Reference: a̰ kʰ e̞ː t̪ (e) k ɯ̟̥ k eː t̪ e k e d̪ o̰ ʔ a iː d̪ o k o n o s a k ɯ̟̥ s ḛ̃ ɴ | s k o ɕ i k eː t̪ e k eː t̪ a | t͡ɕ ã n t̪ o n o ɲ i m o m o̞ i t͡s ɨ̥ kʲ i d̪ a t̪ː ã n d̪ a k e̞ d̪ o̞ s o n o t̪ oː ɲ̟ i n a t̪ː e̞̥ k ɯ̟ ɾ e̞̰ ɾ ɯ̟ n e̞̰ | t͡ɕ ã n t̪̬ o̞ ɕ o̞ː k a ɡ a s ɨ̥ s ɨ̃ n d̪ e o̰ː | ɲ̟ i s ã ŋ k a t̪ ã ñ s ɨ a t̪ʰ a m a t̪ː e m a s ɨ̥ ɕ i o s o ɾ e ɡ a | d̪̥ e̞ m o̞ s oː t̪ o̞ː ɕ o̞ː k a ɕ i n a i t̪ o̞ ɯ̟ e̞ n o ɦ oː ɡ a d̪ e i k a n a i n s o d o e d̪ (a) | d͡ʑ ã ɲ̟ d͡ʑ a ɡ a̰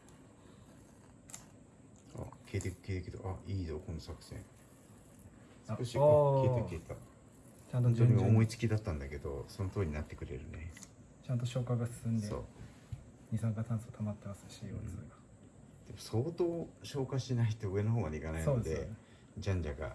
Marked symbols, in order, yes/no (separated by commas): yes, no